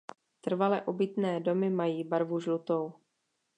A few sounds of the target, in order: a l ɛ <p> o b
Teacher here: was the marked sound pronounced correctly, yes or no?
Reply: no